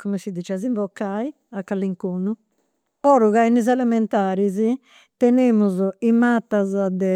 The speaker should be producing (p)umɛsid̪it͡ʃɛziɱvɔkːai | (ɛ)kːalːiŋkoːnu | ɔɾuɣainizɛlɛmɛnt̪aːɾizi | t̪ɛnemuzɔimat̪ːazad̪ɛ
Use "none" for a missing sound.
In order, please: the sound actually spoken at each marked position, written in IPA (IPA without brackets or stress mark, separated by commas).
k, a